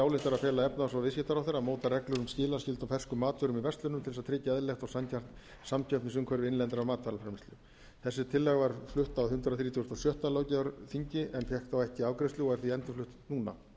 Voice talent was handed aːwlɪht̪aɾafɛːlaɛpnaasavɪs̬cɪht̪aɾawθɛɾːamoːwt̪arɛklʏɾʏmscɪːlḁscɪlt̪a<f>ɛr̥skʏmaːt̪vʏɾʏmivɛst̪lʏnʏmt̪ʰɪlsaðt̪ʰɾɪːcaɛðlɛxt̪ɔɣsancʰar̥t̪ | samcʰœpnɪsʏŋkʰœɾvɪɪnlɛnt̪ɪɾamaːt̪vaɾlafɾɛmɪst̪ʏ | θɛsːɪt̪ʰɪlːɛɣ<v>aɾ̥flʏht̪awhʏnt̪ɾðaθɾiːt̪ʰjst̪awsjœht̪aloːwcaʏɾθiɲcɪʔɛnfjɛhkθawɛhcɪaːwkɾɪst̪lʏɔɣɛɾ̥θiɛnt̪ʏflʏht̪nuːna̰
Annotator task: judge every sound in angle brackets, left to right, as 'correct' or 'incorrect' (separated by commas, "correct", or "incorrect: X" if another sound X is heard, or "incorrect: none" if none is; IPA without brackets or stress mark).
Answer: correct, correct